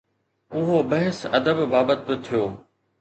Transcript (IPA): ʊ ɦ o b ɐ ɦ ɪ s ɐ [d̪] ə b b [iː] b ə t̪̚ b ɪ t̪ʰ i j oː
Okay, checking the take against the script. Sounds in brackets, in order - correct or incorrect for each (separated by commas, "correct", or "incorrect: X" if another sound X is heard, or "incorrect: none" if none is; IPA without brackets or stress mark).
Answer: correct, incorrect: aː